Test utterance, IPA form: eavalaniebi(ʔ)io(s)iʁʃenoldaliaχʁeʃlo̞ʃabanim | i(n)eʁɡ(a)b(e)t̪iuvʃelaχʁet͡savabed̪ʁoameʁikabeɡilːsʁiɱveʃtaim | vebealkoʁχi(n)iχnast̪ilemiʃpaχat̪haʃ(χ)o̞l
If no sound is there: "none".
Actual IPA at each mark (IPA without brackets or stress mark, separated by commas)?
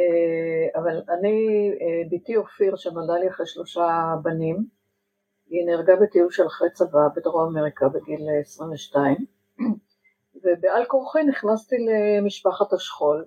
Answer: t, f, n, a, e, n, χ